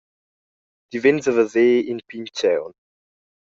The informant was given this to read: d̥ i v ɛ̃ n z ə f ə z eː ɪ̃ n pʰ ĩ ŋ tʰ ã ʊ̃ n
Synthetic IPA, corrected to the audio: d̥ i v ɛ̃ n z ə v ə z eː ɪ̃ n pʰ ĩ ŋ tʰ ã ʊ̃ n